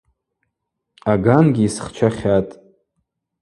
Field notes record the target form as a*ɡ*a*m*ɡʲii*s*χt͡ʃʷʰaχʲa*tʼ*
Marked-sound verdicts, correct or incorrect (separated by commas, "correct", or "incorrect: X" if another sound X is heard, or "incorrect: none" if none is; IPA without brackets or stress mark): correct, incorrect: n, correct, correct